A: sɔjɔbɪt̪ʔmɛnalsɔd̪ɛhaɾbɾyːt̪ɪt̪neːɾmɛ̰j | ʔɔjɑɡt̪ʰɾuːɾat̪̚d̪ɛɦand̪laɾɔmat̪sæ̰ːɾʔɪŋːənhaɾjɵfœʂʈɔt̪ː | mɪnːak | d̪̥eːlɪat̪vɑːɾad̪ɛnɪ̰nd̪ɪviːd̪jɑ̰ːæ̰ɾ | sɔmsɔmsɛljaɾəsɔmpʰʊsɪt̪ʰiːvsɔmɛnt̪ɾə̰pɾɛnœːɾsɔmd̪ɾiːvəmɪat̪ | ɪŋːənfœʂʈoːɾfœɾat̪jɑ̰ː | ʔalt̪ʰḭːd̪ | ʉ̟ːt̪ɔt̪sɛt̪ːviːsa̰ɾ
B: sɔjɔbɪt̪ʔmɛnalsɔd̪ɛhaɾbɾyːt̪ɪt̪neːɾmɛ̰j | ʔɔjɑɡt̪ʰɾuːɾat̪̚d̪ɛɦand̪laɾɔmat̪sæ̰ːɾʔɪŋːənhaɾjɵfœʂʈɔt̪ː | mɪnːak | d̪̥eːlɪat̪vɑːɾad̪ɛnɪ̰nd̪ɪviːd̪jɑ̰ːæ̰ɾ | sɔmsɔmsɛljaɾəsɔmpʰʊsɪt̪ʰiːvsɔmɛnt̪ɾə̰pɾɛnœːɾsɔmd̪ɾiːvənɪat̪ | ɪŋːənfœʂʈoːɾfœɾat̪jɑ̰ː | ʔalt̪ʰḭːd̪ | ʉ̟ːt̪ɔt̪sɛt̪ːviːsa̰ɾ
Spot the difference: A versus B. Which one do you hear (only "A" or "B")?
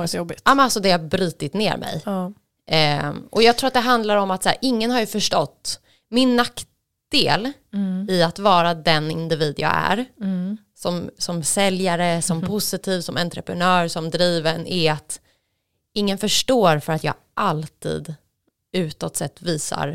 B